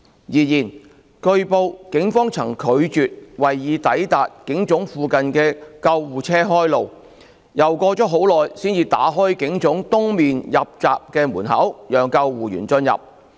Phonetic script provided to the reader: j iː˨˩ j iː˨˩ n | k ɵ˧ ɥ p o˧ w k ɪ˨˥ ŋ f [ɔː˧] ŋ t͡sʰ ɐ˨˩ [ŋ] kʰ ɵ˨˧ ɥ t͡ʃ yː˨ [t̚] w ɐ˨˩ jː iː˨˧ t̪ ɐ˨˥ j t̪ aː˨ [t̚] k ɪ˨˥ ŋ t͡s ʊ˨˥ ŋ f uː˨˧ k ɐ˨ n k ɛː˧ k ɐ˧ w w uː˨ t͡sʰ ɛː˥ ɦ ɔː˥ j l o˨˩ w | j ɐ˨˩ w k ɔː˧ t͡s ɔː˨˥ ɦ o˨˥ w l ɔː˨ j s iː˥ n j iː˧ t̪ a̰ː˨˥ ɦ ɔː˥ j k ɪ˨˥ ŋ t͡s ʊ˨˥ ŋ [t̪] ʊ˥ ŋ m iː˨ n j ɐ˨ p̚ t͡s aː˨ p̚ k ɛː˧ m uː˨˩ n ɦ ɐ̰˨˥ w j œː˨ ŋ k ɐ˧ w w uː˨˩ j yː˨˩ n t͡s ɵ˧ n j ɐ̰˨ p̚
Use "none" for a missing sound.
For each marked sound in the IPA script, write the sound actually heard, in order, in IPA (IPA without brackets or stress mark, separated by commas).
ɔː˥, ŋ, t̚, t̚, t̪